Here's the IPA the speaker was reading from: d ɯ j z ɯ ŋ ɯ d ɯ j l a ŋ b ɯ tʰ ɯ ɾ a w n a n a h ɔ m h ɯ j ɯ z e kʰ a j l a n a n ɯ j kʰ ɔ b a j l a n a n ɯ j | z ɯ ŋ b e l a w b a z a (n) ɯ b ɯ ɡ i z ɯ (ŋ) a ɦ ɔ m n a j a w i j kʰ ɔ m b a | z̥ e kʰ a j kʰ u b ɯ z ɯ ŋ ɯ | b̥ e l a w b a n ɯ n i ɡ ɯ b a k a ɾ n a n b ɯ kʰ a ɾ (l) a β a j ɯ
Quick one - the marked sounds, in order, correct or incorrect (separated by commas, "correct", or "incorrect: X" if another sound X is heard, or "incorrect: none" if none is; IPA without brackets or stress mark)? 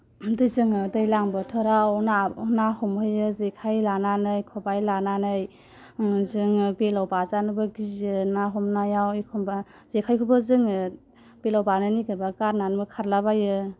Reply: correct, incorrect: n, correct